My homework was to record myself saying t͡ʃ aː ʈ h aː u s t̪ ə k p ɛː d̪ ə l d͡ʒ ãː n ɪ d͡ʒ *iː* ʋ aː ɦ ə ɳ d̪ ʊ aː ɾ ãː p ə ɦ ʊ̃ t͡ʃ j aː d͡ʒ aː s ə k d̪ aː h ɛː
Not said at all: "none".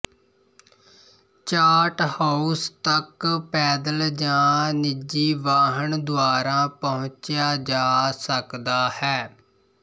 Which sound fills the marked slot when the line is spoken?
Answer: iː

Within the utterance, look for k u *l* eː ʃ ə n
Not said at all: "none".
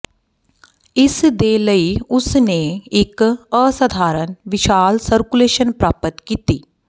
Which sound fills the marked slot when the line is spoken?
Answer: l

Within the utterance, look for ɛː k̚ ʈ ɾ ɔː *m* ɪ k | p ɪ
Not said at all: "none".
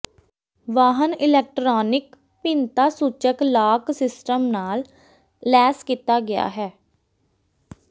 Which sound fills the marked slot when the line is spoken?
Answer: n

